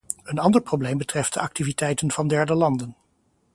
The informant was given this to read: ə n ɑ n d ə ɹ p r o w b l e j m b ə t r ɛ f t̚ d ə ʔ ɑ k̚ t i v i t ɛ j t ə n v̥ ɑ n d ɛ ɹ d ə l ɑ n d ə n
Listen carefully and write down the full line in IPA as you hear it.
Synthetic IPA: ə n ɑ n d ə ɹ p r o w b l e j m b ə t r ɛ f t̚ d ə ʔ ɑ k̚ t i v i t ɛ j t ə n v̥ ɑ n d ɛ ɹ d ə l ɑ n d ə n